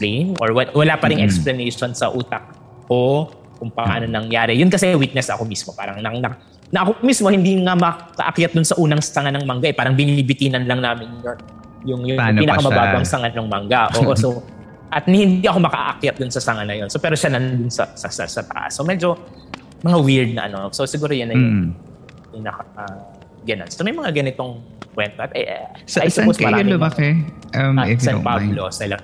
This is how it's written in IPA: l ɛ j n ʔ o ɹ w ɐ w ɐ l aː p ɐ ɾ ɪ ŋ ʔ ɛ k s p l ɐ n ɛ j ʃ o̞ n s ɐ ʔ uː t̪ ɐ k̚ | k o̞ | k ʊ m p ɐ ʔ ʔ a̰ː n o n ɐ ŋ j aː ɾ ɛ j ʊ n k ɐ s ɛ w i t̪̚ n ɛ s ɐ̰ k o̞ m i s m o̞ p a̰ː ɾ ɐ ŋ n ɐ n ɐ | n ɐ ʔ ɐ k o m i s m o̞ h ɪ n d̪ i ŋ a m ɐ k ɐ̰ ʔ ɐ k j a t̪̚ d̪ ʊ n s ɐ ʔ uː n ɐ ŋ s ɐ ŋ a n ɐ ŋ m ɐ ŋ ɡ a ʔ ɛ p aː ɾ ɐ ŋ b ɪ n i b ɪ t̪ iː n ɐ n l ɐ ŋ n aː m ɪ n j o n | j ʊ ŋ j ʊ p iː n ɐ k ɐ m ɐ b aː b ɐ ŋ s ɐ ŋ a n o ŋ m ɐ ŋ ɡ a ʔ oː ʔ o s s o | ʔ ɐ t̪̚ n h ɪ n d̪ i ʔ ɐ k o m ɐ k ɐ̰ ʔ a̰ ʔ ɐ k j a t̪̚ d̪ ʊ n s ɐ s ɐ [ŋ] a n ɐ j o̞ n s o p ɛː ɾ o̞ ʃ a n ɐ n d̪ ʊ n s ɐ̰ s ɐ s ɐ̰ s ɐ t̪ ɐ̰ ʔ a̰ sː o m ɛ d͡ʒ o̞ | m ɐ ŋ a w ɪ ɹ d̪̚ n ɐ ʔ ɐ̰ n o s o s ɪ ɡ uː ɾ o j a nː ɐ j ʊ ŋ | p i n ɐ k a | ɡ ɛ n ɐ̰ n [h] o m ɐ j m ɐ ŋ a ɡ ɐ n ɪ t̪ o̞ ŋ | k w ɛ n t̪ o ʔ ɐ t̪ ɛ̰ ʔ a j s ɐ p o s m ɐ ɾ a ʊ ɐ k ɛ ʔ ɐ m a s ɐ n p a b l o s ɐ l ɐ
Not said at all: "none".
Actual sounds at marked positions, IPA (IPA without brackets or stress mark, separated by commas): ŋ, s